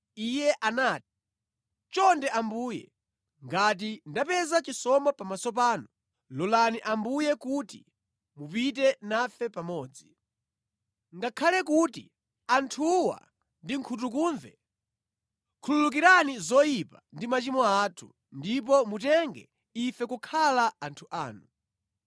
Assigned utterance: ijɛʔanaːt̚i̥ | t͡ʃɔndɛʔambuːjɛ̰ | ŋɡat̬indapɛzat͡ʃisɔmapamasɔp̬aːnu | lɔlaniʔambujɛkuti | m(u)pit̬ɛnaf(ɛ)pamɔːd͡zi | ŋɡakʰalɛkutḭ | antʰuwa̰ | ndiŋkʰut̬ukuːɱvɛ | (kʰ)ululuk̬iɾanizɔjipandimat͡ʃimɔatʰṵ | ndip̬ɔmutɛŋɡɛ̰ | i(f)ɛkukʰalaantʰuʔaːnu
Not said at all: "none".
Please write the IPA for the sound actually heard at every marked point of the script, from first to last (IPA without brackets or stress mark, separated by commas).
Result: u, ɛ, kʰ, f